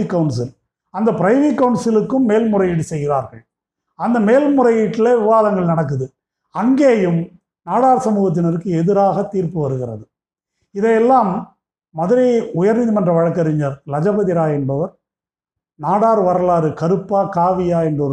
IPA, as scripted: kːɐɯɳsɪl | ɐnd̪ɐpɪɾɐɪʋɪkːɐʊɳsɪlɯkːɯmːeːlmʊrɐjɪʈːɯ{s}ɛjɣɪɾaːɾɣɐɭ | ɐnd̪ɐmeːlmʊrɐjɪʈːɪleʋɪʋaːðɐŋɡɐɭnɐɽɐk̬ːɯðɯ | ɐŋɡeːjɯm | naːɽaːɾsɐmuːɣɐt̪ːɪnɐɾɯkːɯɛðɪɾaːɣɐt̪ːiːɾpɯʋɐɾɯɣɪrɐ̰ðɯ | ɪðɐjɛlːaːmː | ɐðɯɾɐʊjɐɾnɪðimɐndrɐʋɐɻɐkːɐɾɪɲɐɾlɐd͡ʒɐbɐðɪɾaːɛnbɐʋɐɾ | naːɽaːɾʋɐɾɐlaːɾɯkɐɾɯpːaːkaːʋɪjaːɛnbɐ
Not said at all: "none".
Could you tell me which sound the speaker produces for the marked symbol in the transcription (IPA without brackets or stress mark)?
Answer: s